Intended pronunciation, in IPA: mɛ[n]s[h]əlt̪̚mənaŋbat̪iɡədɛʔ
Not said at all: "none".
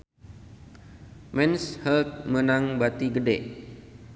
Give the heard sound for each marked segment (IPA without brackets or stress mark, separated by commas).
n, h